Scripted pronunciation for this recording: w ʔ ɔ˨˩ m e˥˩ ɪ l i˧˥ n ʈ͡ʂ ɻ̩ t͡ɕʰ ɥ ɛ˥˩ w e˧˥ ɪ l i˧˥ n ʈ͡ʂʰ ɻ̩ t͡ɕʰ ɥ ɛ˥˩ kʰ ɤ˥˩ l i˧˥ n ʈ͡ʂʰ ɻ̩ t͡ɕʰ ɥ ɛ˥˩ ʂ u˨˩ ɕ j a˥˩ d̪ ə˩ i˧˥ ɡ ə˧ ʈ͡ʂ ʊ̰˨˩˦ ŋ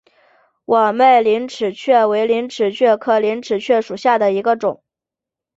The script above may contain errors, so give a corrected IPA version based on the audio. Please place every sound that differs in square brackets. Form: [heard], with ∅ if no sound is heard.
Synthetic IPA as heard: w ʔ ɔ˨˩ m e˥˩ ɪ l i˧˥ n [ʈ͡ʂʰ] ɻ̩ t͡ɕʰ ɥ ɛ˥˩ w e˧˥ ɪ l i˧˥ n ʈ͡ʂʰ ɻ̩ t͡ɕʰ ɥ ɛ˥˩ kʰ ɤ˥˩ l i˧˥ n ʈ͡ʂʰ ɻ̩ t͡ɕʰ ɥ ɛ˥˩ ʂ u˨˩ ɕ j a˥˩ d̪ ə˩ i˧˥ ɡ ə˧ ʈ͡ʂ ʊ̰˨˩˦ ŋ